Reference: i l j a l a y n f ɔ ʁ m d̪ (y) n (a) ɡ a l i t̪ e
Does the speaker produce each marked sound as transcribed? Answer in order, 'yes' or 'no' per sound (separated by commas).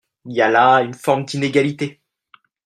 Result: no, no